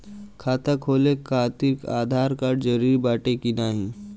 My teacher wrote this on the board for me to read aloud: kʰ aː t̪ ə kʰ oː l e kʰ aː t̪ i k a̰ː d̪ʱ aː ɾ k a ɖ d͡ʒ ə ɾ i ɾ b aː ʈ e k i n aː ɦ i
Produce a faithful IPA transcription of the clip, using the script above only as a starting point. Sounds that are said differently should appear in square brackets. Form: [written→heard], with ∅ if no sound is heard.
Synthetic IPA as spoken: kʰ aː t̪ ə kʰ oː l e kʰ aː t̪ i k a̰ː d̪ʱ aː ɾ k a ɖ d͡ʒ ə ɾ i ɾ b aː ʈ e k i n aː ɦ i